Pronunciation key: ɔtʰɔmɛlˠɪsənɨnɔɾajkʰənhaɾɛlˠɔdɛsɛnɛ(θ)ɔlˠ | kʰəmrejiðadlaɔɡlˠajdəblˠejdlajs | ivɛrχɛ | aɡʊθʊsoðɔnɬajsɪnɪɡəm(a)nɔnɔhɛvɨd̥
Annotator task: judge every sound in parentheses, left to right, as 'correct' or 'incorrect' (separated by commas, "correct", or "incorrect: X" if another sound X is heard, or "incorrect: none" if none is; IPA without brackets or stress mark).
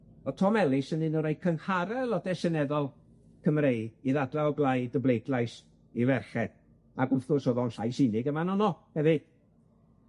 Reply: incorrect: ð, correct